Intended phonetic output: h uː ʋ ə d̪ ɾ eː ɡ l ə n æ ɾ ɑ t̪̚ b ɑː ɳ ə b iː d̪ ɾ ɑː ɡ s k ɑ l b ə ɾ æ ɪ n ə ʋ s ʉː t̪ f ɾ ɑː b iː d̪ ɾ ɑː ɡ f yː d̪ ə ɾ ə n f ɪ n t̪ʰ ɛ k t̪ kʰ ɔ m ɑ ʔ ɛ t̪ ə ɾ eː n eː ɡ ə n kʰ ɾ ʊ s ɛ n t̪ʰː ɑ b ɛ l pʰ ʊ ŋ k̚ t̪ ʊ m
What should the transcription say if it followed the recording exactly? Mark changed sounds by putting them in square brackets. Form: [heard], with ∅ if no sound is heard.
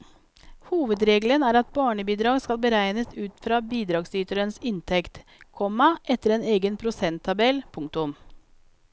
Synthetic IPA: h uː ʋ ə d̪ ɾ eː ɡ l ə n [æː] ɾ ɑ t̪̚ b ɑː ɳ ə b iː d̪ ɾ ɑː ɡ s k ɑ l b ə ɾ æ ɪ n ə [∅] s ʉː t̪ f ɾ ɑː b iː d̪ ɾ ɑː ɡ [s] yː [t̪] ə ɾ ə n [s] ɪ n t̪ʰ ɛ k t̪ kʰ ɔ m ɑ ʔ ɛ t̪ ə ɾ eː n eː ɡ ə n [pʰ] ɾ ʊ s ɛ n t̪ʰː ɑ b ɛ l pʰ ʊ ŋ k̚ t̪ ʊ m